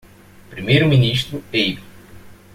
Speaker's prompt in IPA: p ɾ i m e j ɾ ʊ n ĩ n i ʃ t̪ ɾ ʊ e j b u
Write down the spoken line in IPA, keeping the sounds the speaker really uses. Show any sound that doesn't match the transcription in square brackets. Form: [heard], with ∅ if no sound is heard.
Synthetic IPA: p ɾ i m e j ɾ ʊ [m] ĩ n i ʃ t̪ ɾ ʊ e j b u